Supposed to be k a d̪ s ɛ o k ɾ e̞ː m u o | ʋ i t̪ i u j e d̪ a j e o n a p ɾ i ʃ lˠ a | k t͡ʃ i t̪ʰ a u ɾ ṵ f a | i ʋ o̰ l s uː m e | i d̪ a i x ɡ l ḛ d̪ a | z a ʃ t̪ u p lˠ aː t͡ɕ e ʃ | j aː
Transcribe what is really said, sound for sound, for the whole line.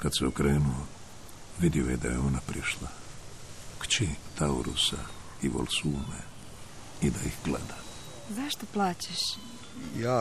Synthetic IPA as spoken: k a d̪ s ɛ o k ɾ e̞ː n u o | ʋ i d̪ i o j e d̪ a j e o n a p ɾ i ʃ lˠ a | k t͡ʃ i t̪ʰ a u ɾ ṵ s a | i ʋ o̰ l s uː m e | i d̪ a i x ɡ l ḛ d̪ a | z a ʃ t̪ o p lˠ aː t͡ɕ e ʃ | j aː